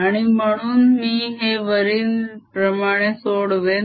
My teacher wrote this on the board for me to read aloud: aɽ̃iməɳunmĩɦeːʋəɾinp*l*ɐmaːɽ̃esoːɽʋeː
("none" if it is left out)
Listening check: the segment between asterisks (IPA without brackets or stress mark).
ɾ